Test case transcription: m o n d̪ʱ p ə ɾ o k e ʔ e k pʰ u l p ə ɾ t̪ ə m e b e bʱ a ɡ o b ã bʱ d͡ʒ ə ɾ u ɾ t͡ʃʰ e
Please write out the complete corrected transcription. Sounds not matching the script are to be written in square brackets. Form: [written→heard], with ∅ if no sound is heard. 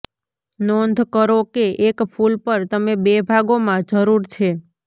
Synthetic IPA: [m→n] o n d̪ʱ [p→k] ə ɾ o k e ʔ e k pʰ u l p ə ɾ t̪ ə m e b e bʱ a ɡ o [b→m] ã [bʱ→∅] d͡ʒ ə ɾ u ɾ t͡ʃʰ e

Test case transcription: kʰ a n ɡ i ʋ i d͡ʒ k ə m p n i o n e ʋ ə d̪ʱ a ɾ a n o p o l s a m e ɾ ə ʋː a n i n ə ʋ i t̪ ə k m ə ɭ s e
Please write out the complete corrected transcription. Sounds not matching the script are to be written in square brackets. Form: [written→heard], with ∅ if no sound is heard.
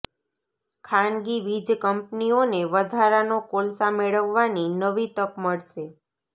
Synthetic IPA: kʰ a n ɡ i ʋ i d͡ʒ k ə m p n i o n e ʋ ə d̪ʱ a ɾ a n o [p→k] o l s a m e [ɾ→ɭ] ə ʋː a n i n ə ʋ i t̪ ə k m ə ɭ [s→ʃ] e

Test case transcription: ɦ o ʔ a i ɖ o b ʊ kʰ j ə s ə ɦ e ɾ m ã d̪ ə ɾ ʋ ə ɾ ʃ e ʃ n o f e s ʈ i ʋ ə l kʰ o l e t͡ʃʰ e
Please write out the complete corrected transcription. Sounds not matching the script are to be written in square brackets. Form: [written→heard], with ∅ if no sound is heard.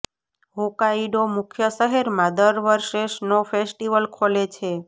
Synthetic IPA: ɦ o [ʔ→k] a i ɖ o [b→m] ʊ kʰ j ə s ə ɦ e ɾ m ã d̪ ə ɾ ʋ ə ɾ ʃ e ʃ n o f e s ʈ i ʋ ə l kʰ o l e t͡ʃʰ e

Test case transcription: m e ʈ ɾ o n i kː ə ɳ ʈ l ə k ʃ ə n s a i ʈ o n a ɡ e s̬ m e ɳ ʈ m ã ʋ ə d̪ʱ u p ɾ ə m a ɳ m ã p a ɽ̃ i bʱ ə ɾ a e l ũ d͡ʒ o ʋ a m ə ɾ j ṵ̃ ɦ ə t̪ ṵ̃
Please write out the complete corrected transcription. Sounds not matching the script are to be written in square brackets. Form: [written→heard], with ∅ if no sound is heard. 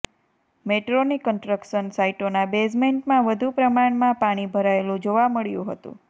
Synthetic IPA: m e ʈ ɾ o n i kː ə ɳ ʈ [l→ɾ] ə k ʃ ə n s a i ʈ o n a [ɡ→b] e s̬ m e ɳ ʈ m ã ʋ ə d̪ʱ u p ɾ ə m a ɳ m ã p a ɽ̃ i bʱ ə ɾ a e l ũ d͡ʒ o ʋ a m ə [ɾ→ɭ] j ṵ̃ ɦ ə t̪ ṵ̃

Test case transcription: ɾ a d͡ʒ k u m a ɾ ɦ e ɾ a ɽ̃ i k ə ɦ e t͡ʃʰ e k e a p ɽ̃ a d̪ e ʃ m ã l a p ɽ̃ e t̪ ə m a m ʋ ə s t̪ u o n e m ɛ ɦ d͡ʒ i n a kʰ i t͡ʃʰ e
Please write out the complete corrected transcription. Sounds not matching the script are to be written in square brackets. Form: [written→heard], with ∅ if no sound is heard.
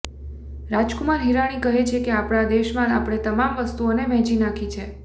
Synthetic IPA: ɾ a d͡ʒ k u m a ɾ ɦ [e→i] ɾ a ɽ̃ i k ə ɦ e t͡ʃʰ e k e a p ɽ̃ a d̪ e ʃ m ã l a p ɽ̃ e t̪ ə m a m ʋ ə s t̪ u o n e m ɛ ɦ d͡ʒ i n a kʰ i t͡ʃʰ e

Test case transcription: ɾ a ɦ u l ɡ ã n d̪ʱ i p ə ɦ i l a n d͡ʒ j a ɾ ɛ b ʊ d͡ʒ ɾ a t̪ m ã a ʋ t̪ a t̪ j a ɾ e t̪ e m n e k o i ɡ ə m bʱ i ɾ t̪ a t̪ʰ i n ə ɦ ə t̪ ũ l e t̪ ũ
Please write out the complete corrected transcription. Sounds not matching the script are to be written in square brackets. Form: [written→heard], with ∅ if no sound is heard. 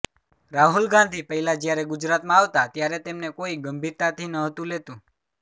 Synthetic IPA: ɾ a ɦ u l ɡ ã n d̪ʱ i p ə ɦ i l a [n→∅] d͡ʒ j a ɾ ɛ [b→ɡ] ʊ d͡ʒ ɾ a t̪ m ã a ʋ t̪ a t̪ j a ɾ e t̪ e m n e k o i ɡ ə m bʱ i ɾ t̪ a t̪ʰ i n ə ɦ ə t̪ ũ l e t̪ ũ

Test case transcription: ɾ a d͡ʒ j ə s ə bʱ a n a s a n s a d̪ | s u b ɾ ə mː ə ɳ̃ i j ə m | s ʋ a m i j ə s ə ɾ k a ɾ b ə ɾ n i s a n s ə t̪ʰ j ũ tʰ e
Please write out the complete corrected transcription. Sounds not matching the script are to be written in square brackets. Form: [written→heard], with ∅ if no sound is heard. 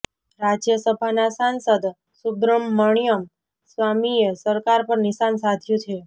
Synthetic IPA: ɾ a d͡ʒ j ə s ə bʱ a n a s a n s [a→ə] d̪ | s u b ɾ ə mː ə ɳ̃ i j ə m | s ʋ a m i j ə s ə ɾ k a ɾ [b→p] ə ɾ n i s a n s [ə→a] t̪ʰ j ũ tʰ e

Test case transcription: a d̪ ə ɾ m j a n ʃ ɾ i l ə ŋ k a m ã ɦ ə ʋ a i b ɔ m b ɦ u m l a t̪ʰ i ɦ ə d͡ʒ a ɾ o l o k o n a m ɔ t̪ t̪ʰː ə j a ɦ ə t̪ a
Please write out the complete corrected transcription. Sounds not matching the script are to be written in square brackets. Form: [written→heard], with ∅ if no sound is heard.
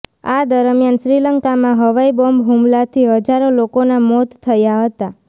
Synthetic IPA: a d̪ ə ɾ m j a n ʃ ɾ i l ə ŋ k a m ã ɦ ə ʋ a i b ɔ m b ɦ u m l a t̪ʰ i ɦ ə d͡ʒ a ɾ o l o k o n a m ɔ t̪ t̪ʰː ə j a ɦ ə t̪ a

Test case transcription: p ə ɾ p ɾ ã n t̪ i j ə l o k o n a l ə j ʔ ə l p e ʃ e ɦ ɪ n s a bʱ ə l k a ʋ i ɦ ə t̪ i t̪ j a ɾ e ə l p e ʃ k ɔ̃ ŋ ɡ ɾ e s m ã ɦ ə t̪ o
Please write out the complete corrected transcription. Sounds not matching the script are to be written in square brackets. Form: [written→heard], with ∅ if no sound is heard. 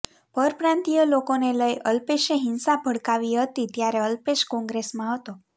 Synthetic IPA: p ə ɾ p ɾ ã n t̪ i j ə l o k o n [a→e] l ə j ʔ ə l p e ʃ e ɦ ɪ n s a bʱ ə [l→ɽ] k a ʋ i ɦ ə t̪ i t̪ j a ɾ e ə l p e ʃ k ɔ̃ ŋ ɡ ɾ e s m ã ɦ ə t̪ o

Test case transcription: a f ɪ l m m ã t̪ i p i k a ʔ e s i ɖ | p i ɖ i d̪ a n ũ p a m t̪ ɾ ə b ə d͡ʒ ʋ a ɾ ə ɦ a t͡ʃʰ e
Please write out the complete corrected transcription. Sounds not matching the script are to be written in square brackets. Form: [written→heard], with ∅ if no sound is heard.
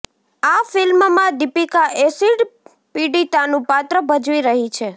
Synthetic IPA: a f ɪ l m m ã [t̪→d̪] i p i k a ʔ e s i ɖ | p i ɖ i [d̪→t̪] a n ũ p a [m→∅] t̪ ɾ ə b ə d͡ʒ ʋ [a→i] ɾ ə ɦ [a→i] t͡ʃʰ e

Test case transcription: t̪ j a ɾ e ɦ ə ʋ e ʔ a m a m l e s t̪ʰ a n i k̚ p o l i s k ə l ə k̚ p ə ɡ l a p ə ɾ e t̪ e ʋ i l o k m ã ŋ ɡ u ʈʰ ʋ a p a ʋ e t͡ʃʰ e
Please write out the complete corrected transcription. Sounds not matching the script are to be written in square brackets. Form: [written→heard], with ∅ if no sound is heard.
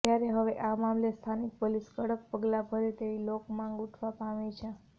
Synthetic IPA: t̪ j a ɾ e ɦ ə ʋ e ʔ a m a m l e s t̪ʰ a n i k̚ p o l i s k ə [l→ɽ] ə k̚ p ə ɡ l a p ə ɾ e t̪ e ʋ i l o k m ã ŋ ɡ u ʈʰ ʋ a p a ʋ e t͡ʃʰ e

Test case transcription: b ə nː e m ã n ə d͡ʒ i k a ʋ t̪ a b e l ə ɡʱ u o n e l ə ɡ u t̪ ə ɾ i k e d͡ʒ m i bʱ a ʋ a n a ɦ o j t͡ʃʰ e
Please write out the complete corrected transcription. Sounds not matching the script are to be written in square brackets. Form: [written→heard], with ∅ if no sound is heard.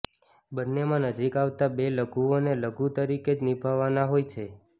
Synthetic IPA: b ə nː e m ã n ə d͡ʒ i k a ʋ t̪ a b e l ə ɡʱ u o n e l ə ɡ u t̪ ə ɾ i k e d͡ʒ [m→n] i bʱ a ʋ a n a ɦ o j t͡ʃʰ e

